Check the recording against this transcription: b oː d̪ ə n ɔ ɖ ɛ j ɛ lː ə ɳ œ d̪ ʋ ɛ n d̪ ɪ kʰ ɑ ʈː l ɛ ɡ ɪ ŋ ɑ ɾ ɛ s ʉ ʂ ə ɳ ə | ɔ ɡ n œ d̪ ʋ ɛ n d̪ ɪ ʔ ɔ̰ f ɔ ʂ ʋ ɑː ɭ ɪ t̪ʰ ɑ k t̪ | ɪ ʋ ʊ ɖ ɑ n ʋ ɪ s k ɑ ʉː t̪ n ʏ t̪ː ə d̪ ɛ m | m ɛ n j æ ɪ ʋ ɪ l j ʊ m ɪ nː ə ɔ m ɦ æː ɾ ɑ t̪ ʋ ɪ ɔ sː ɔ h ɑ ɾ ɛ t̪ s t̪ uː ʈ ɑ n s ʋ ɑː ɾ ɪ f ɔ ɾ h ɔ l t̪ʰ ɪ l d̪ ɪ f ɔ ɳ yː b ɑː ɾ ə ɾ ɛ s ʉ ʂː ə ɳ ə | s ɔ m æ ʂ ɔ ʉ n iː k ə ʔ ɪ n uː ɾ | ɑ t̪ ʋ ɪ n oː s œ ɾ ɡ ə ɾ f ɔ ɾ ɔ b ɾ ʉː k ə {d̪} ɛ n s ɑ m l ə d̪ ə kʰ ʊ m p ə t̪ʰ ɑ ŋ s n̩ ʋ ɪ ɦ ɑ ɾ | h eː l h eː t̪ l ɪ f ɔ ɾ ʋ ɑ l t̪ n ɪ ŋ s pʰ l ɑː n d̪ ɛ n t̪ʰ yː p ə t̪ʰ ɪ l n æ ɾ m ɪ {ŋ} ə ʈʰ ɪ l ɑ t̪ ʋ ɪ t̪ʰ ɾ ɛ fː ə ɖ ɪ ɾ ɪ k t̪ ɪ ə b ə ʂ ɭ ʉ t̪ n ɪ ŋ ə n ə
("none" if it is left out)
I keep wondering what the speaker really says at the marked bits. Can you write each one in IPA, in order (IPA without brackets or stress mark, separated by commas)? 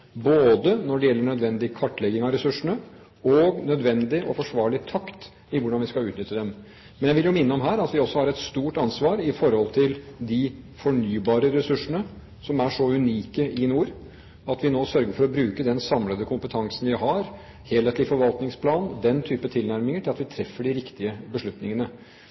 d̪, ŋ